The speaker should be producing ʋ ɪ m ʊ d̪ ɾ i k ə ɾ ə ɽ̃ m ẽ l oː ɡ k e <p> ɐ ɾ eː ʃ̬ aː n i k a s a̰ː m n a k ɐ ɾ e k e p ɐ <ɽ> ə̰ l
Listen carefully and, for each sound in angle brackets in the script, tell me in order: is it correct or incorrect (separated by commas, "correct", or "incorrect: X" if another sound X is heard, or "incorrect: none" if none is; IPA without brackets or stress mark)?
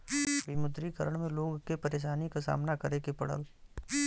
correct, correct